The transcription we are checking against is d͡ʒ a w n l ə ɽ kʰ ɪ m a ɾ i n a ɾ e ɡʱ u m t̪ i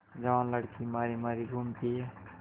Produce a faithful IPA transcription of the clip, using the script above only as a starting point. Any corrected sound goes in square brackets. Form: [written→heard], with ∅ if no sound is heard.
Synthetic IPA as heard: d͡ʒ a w n l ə ɽ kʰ [ɪ→i] m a ɾ i [n→m] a ɾ [e→i] ɡʱ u m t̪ i

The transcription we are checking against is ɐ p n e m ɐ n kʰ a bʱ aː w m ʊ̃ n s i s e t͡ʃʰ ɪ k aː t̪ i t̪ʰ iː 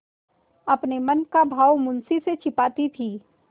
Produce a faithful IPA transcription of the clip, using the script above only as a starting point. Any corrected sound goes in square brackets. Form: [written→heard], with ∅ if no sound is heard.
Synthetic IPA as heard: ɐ p n e m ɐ n [kʰ→k] a bʱ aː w m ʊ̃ n s i s e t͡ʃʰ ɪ [k→p] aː t̪ i t̪ʰ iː

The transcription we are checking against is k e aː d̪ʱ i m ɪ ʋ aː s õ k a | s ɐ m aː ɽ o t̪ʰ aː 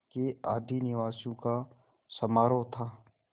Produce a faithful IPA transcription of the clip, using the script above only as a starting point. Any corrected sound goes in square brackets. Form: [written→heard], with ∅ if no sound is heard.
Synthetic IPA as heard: k e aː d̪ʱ i [m→n] ɪ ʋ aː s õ k a | s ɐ m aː [ɽ→ɾ] o t̪ʰ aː

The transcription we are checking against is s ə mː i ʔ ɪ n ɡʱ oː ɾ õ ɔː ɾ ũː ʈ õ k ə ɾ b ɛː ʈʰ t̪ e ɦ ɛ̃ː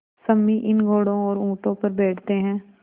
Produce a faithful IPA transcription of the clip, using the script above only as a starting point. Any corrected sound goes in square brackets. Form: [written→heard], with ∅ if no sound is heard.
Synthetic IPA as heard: s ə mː i ʔ ɪ n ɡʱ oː [ɾ→ɽ] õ ɔː ɾ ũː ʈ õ [k→p] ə ɾ b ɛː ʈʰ t̪ e ɦ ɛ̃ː

